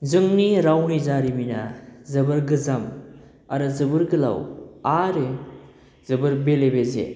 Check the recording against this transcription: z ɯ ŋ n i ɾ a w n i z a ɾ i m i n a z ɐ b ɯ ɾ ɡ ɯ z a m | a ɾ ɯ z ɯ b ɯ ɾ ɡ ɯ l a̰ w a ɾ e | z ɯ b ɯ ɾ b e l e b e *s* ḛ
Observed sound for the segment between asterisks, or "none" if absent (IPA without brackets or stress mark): z